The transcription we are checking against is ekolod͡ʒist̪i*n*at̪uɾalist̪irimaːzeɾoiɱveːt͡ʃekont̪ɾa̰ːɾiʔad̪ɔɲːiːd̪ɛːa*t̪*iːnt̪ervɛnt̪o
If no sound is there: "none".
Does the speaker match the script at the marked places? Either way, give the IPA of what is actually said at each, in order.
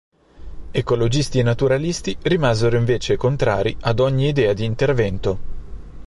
n, d̪

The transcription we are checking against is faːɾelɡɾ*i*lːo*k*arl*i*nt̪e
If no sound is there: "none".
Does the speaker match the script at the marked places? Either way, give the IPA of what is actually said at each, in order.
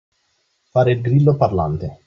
i, p, a

